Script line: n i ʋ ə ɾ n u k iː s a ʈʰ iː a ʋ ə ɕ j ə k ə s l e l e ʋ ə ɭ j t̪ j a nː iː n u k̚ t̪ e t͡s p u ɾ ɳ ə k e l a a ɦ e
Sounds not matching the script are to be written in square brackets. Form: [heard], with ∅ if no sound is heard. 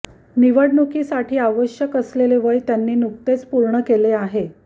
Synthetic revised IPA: n i ʋ ə [ɽ] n u k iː s a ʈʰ iː a ʋ ə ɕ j ə k ə s l e l e ʋ ə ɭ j t̪ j a nː iː n u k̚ t̪ e t͡s p u ɾ ɳ ə k e l [e] a ɦ e